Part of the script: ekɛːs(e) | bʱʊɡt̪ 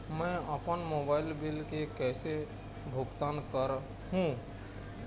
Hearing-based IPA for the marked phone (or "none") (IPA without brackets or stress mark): e